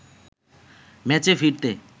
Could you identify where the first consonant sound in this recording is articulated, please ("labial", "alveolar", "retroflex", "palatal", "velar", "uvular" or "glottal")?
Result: labial